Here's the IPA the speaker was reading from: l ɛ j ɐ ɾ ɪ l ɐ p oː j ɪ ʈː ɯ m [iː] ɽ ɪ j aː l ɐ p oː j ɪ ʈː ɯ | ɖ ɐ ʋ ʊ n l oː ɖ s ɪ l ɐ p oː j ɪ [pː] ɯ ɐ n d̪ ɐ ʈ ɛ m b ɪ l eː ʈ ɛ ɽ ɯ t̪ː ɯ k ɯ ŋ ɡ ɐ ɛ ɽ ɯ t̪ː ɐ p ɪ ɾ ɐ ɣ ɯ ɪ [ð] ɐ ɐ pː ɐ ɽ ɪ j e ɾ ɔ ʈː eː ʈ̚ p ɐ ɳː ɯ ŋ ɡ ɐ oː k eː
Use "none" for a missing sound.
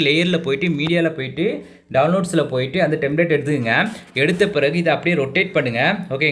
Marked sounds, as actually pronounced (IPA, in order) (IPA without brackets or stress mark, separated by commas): iː, ʈː, ð